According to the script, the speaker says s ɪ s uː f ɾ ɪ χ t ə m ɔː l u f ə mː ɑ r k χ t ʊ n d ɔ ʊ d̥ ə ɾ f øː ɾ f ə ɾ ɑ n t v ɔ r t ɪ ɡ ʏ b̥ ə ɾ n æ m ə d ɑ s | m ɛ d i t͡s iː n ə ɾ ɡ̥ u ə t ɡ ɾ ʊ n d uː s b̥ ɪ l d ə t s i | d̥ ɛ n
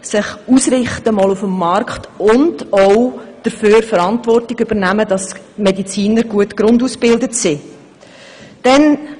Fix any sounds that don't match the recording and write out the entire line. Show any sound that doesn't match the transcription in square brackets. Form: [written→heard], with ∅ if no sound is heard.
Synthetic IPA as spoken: s ɪ [s→χ] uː [f→s] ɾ ɪ χ t ə m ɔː l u f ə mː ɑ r k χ t ʊ n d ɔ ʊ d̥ ə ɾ f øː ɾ f ə ɾ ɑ n t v ɔ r t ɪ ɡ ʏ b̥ ə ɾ n æ m ə d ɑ s | m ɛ d i t͡s iː n ə ɾ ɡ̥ u ə t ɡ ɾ ʊ n d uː s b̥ ɪ l d ə t s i | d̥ ɛ n